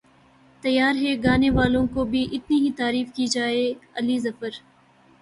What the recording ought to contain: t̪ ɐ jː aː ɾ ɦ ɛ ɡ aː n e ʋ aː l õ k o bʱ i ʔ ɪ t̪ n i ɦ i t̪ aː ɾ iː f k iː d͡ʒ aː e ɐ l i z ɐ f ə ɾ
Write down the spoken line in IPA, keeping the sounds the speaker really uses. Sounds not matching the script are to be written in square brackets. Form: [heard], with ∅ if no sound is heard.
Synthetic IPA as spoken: t̪ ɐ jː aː ɾ ɦ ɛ ɡ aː n e ʋ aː l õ k o bʱ i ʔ ɪ t̪ n i ɦ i t̪ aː ɾ iː f k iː d͡ʒ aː e ɐ l i z ɐ f ə ɾ